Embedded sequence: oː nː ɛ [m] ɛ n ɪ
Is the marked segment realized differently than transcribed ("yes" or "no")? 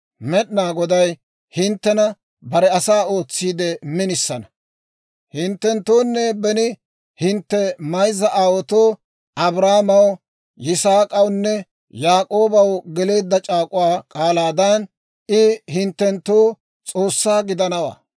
yes